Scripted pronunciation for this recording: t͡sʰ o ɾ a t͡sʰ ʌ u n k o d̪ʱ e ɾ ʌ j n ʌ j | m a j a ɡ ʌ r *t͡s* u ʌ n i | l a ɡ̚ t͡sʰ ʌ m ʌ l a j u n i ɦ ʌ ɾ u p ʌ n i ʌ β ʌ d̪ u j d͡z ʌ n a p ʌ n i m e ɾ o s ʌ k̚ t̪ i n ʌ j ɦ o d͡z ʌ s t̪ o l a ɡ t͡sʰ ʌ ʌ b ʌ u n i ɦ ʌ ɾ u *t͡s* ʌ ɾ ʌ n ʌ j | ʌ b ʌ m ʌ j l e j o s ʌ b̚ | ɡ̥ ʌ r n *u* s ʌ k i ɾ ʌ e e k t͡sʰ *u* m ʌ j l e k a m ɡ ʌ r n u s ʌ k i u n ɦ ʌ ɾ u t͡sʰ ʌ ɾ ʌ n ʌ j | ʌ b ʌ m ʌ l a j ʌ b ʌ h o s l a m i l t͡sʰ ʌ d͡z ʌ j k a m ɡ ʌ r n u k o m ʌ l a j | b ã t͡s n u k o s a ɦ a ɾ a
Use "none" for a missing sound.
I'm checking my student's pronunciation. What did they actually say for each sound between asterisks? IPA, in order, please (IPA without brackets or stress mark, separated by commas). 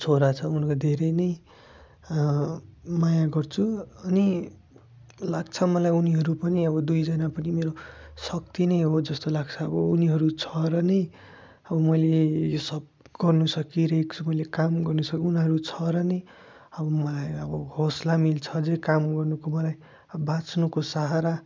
t͡sʰ, t͡sʰ, u, u